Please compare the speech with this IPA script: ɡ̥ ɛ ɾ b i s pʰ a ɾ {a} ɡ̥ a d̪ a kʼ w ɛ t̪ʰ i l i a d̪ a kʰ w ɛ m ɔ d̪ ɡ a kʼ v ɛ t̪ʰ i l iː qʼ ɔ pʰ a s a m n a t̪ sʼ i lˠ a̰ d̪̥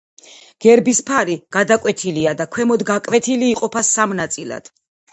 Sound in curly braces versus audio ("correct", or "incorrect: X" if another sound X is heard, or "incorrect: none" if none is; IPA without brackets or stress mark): incorrect: i